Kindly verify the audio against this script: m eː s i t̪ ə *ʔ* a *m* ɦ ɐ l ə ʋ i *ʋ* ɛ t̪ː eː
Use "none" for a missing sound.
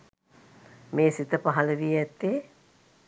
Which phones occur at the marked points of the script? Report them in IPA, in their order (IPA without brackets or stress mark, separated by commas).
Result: p, none, none